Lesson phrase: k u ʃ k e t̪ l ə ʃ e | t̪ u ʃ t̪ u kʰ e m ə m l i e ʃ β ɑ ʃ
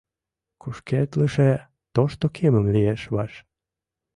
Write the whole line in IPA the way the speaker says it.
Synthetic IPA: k u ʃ k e t̪ l ə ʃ e | t̪ o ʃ t̪ o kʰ e m ə m l i e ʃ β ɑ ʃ